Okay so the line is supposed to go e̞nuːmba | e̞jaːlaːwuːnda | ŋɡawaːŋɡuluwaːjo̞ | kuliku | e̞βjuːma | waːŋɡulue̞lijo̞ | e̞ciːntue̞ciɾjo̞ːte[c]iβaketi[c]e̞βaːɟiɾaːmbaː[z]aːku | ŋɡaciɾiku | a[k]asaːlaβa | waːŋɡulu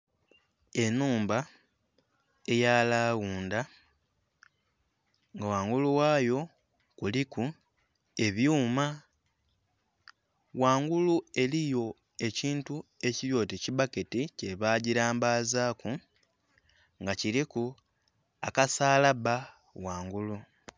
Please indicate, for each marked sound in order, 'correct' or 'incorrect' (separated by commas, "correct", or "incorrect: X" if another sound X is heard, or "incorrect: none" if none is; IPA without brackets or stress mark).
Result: correct, correct, correct, correct